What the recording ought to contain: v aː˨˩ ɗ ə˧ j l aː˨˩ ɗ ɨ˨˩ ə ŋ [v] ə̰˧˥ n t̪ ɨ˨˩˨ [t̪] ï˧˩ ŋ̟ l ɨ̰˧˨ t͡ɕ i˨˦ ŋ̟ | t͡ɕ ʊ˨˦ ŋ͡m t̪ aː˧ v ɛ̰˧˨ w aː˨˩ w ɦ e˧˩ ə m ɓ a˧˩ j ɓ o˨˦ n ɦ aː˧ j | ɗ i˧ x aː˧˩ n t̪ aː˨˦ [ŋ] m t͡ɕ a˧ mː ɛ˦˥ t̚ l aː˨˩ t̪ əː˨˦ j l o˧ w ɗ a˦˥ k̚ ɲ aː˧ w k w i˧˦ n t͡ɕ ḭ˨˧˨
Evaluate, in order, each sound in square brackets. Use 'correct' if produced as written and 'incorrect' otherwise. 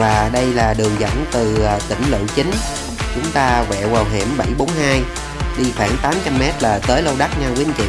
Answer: incorrect: z, correct, incorrect: none

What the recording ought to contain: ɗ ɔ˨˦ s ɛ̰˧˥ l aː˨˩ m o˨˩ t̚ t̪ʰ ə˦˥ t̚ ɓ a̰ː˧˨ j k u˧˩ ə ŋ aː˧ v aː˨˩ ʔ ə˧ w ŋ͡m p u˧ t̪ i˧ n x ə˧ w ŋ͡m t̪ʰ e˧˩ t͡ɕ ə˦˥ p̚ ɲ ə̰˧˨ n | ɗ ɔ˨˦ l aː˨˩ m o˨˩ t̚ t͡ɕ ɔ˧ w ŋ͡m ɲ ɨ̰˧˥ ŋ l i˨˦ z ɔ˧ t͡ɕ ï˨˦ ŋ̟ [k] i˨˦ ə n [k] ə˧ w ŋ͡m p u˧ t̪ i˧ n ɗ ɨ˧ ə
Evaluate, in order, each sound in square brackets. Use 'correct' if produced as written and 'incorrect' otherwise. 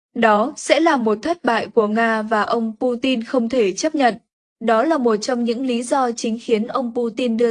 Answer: incorrect: x, incorrect: ʔ

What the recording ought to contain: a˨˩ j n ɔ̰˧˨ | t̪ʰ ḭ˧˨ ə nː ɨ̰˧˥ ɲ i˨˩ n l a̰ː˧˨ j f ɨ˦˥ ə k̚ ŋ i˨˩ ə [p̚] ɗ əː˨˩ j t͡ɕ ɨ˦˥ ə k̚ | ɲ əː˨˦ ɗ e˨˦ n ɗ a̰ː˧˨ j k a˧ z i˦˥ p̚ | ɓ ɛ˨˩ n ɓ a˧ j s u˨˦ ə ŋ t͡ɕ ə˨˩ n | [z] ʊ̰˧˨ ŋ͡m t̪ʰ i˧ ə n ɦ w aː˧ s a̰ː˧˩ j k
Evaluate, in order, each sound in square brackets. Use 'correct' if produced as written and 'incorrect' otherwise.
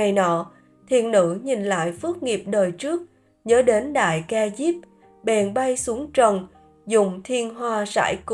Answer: correct, correct

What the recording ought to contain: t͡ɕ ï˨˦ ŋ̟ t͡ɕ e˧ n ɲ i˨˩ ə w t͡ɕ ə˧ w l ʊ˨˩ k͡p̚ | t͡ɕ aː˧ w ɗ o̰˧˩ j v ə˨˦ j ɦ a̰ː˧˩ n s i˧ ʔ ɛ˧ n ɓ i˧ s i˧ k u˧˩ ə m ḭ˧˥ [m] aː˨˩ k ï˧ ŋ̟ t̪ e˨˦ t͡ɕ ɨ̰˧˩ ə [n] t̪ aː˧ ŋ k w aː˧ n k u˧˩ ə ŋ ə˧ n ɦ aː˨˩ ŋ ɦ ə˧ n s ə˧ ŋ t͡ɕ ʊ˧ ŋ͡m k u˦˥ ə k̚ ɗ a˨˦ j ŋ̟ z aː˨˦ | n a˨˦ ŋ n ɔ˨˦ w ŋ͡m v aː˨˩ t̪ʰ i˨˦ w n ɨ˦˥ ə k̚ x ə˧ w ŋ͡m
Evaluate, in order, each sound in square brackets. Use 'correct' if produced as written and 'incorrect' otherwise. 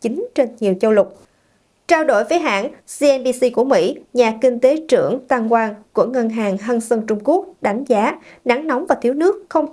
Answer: incorrect: ɲ, incorrect: ŋ

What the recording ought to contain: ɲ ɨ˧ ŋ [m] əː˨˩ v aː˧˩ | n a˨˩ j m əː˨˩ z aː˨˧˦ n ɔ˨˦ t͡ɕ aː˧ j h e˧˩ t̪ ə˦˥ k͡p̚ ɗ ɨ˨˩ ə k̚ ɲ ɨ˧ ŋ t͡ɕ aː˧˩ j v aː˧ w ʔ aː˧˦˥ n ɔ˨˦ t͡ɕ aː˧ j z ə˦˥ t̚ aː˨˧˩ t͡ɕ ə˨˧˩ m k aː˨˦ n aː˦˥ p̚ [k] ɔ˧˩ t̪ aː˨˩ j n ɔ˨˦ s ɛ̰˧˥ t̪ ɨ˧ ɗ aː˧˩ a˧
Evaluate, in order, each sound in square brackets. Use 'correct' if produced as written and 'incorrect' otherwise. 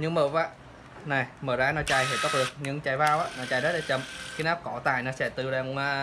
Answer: correct, correct

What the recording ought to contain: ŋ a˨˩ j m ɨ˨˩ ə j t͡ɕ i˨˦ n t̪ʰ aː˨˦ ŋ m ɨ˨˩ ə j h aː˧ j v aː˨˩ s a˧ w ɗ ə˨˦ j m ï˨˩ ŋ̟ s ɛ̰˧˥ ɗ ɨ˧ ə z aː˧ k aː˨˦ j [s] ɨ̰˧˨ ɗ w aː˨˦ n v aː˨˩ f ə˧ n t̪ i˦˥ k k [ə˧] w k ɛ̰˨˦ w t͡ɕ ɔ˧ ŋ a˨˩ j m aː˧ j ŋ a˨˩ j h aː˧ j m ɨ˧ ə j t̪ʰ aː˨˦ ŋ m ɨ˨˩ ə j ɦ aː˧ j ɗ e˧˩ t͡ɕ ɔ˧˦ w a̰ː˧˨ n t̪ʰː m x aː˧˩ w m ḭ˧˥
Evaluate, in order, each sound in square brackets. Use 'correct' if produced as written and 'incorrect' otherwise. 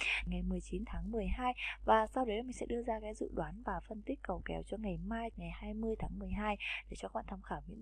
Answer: incorrect: z, incorrect: ə˨˩

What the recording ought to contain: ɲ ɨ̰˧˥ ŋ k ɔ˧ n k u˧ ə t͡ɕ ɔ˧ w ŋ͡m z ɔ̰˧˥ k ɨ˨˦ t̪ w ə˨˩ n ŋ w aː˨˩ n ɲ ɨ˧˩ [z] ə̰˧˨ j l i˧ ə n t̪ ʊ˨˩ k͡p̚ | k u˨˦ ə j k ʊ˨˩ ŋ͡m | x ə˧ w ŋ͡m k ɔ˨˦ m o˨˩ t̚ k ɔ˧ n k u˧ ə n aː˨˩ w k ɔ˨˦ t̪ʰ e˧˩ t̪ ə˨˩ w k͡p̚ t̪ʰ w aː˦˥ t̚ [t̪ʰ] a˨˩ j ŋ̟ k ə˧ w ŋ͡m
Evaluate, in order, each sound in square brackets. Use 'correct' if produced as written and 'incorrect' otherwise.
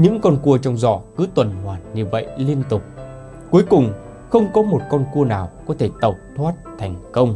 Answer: incorrect: v, correct

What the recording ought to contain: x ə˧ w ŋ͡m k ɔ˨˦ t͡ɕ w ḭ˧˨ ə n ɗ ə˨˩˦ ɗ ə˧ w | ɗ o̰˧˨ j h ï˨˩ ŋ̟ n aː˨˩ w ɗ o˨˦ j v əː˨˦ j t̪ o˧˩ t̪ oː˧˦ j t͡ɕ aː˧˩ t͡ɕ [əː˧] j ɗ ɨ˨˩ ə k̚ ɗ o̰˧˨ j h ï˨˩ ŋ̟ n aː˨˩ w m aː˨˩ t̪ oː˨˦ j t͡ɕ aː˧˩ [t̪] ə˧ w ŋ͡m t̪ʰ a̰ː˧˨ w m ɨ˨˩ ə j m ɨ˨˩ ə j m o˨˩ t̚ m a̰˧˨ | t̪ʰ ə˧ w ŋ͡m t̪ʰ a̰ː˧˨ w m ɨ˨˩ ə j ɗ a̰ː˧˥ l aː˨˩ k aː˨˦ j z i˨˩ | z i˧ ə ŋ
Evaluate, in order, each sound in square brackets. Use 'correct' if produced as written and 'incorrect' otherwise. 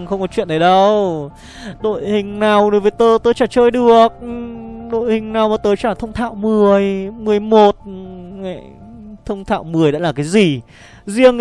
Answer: correct, incorrect: t̪ʰ

